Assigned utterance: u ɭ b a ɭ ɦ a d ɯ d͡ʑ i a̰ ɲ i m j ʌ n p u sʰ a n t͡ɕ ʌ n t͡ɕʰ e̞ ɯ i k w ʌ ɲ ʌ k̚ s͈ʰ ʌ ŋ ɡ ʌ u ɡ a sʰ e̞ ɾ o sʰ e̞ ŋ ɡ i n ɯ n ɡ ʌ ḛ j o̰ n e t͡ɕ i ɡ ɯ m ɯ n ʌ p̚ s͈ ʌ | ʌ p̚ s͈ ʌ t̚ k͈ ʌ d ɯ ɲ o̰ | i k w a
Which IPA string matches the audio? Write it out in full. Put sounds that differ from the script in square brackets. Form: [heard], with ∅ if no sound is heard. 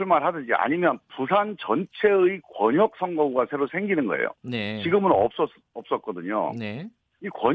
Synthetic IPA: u ɭ [m] a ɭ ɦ a d ɯ d͡ʑ i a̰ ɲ i m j ʌ n p u sʰ a n t͡ɕ ʌ n t͡ɕʰ e̞ ɯ i k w ʌ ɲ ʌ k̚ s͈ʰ ʌ ŋ ɡ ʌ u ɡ a sʰ e̞ ɾ o sʰ e̞ ŋ ɡ i n ɯ n ɡ ʌ ḛ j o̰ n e t͡ɕ i ɡ ɯ m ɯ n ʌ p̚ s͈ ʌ | ʌ p̚ s͈ ʌ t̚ k͈ ʌ d ɯ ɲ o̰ | i k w [ʌ]